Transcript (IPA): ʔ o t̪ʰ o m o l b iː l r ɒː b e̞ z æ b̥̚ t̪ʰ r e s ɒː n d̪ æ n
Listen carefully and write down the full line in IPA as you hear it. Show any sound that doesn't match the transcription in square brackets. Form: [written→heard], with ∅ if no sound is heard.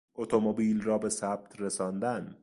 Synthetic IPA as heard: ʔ o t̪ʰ o m o [l→∅] b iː l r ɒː b e̞ [z→s] æ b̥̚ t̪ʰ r e s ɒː n d̪ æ n

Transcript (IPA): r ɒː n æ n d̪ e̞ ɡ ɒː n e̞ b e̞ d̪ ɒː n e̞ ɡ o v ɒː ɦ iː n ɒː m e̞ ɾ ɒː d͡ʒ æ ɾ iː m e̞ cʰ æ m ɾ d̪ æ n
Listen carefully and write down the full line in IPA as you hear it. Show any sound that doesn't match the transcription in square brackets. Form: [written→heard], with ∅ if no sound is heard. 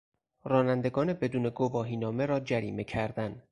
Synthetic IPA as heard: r ɒː n æ n d̪ e̞ ɡ ɒː n e̞ b e̞ d̪ [ɒː→uː] n e̞ ɡ o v ɒː ɦ iː n ɒː m e̞ ɾ ɒː d͡ʒ æ ɾ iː m e̞ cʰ æ [m→∅] ɾ d̪ æ n

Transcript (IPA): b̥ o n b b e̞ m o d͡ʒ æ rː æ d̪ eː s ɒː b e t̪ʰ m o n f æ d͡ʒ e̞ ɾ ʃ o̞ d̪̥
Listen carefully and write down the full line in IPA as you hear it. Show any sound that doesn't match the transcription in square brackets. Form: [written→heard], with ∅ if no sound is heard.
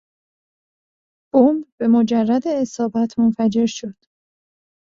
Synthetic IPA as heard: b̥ o [n→m] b b e̞ m o d͡ʒ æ rː æ d̪ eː s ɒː b [e→æ] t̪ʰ m o n f æ d͡ʒ e̞ ɾ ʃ o̞ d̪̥

